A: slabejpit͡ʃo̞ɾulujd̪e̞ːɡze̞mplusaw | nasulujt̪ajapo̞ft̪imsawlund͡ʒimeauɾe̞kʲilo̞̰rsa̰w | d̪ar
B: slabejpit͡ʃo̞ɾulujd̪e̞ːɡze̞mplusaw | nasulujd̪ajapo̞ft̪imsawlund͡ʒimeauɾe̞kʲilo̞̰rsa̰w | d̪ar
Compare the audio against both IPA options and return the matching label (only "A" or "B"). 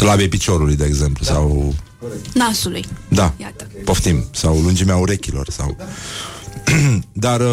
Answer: B